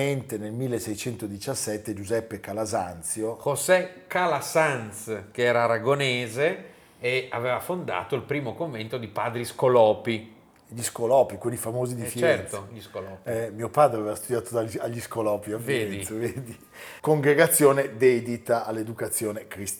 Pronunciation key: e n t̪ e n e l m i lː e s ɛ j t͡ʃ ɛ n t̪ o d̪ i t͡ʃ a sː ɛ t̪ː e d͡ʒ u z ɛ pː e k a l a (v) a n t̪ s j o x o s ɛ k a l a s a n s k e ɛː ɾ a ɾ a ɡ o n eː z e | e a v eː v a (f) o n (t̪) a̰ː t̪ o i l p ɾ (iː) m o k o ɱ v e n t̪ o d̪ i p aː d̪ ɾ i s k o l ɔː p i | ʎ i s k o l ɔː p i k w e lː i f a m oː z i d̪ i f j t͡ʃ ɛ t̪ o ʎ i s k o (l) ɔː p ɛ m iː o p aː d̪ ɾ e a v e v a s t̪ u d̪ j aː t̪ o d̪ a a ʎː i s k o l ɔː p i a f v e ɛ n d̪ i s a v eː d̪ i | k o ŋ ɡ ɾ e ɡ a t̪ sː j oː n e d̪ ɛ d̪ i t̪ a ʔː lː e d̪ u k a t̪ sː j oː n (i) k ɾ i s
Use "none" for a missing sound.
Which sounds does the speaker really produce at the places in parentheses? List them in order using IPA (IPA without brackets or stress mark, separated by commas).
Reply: z, f, d̪, iː, l, e